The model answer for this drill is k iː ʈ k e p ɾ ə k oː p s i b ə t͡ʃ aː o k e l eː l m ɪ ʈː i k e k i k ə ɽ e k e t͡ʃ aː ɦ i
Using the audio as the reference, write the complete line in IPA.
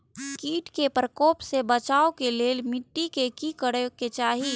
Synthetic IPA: k iː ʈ k e p ɾ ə k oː p s e b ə t͡ʃ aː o k e l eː l m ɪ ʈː i k e k i k ə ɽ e k e t͡ʃ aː ɦ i